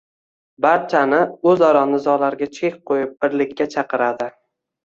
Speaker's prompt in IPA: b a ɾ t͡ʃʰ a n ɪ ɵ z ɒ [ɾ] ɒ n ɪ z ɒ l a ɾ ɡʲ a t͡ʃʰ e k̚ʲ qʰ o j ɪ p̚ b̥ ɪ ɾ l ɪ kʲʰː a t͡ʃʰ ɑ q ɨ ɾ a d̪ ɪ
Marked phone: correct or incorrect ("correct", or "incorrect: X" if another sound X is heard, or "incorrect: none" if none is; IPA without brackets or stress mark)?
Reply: correct